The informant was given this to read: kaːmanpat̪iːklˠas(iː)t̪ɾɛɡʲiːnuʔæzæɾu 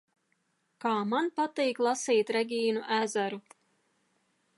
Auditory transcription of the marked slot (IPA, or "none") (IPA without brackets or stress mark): iː